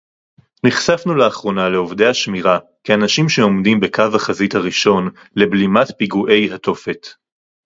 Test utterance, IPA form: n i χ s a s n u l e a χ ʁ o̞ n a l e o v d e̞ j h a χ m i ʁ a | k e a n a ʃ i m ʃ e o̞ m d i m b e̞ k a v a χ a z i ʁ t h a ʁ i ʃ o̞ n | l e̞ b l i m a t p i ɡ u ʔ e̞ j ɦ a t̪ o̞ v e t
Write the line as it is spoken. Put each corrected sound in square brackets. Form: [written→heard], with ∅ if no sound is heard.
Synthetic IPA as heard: n i χ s a [s→f] n u l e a χ ʁ o̞ n a l e o v d e̞ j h a [χ→ʃ] m i ʁ a | k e a n a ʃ i m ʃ e o̞ m d i m b e̞ k a v a χ a z i [ʁ→∅] t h a ʁ i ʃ o̞ n | l e̞ b l i m a t p i ɡ u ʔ e̞ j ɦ a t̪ o̞ [v→f] e t